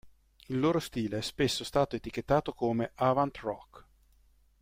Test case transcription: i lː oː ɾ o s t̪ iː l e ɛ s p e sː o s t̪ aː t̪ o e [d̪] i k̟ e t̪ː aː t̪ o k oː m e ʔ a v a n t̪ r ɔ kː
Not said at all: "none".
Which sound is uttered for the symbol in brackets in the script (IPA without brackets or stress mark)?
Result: t̪